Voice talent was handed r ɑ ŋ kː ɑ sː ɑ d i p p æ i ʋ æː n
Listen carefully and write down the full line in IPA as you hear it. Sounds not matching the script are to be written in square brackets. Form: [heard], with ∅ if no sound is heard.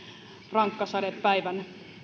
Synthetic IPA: r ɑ ŋ kː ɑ [s] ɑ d [e] p p æ i ʋ [æ] n